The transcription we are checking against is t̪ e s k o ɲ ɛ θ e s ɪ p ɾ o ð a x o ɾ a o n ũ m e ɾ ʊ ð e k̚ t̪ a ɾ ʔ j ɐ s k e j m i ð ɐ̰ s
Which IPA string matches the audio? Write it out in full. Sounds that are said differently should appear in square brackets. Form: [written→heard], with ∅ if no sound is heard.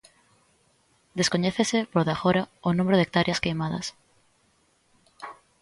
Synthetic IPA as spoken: [t̪→d̪] e s k o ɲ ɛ θ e s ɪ p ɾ o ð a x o ɾ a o n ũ m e ɾ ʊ ð e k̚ t̪ a ɾ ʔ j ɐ s k e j m [i→a] ð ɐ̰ s

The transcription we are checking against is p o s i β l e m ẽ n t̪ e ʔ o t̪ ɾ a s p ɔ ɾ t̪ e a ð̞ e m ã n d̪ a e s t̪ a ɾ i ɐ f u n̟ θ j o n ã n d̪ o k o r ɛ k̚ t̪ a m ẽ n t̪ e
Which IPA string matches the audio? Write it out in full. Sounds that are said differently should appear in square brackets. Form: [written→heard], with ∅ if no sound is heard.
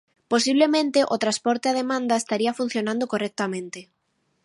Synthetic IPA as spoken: p o s i β l e m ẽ n t̪ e ʔ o t̪ ɾ a s p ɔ ɾ t̪ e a ð̞ e m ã n d̪ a e s t̪ a ɾ i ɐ f u n̟ θ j o n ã n d̪ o k o r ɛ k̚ t̪ a m ẽ n t̪ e

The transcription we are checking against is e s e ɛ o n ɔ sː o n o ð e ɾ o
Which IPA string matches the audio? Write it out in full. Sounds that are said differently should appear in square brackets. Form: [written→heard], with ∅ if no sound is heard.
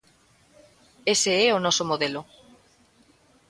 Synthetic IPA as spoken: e s e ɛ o n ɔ [sː→s] o [n→m] o ð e [ɾ→l] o

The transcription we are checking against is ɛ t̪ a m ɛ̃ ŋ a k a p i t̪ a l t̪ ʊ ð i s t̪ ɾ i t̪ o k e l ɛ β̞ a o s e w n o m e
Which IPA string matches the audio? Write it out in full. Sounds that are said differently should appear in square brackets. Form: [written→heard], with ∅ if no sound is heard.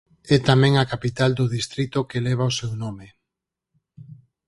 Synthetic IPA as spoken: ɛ t̪ a m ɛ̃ ŋ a k a p i t̪ a l [t̪→d̪] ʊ ð i s t̪ ɾ i t̪ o k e l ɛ β̞ a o s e w n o m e

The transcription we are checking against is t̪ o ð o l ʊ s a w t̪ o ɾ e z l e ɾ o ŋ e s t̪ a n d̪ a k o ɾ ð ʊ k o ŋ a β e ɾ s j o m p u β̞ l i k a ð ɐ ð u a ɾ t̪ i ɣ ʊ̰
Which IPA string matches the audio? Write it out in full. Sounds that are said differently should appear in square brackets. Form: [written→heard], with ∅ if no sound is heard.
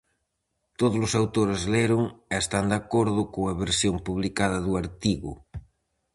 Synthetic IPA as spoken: t̪ o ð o l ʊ s a w t̪ o ɾ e z l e ɾ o ŋ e s t̪ a n d̪ a k o ɾ ð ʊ k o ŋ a β e ɾ s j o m p u β̞ l i k a ð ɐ ð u a ɾ t̪ i ɣ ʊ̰

